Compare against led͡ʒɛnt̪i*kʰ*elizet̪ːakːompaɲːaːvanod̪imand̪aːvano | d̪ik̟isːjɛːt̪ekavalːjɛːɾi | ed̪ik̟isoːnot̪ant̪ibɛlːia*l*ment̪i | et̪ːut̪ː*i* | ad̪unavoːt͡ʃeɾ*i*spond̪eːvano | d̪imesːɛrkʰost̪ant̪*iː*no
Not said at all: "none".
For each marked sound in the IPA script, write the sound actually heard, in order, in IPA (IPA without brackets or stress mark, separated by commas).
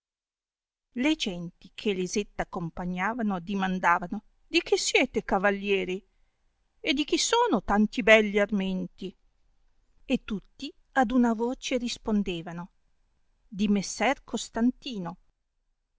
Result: kʰ, r, i, i, iː